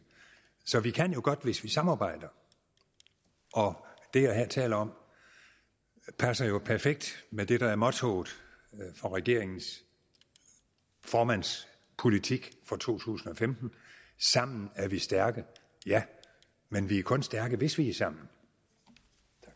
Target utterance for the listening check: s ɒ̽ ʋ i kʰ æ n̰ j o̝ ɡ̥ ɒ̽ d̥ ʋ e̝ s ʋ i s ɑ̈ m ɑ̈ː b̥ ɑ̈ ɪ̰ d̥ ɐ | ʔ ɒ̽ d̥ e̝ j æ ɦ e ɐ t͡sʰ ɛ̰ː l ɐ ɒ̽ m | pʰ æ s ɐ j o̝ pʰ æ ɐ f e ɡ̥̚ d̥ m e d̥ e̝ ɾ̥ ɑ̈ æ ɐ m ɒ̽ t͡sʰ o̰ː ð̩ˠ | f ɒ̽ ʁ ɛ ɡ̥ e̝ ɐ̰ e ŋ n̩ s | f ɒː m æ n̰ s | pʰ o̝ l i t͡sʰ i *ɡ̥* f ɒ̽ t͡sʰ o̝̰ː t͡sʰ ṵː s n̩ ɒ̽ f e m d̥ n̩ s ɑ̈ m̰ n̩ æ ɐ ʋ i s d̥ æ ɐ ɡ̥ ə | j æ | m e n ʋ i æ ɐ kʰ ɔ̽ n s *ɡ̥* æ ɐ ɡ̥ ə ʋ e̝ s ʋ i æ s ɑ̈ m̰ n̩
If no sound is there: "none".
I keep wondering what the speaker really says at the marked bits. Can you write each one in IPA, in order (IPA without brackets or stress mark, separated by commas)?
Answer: ɡ̥, d̥